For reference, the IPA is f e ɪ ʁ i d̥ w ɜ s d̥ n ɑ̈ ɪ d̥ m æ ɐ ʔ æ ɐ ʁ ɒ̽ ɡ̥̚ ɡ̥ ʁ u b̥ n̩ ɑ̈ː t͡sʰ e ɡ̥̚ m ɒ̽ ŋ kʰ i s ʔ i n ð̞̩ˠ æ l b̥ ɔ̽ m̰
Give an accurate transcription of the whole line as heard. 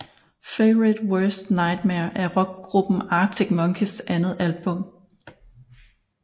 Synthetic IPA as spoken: f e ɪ ʁ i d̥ w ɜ s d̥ n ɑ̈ ɪ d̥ m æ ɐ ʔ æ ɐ ʁ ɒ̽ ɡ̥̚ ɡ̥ ʁ u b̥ n̩ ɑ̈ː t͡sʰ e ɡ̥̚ m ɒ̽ ŋ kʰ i s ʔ æ n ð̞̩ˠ æ l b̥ ɔ̽ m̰